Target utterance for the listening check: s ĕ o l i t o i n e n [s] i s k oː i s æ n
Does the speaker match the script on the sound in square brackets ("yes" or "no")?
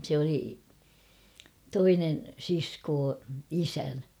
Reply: yes